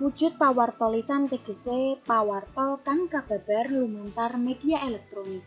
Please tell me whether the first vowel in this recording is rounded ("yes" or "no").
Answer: yes